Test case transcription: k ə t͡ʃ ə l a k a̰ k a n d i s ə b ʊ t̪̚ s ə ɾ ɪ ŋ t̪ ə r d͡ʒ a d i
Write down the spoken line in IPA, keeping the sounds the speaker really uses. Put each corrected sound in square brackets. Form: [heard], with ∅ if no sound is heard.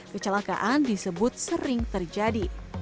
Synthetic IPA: k ə t͡ʃ ə l a k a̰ [ʔ] a n d i s ə b ʊ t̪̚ s ə ɾ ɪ ŋ t̪ ə r d͡ʒ a d i